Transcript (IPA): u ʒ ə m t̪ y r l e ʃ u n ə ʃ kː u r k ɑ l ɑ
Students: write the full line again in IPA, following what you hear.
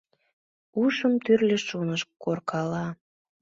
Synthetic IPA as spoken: u ʃ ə m t̪ y r l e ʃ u n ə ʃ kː o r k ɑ l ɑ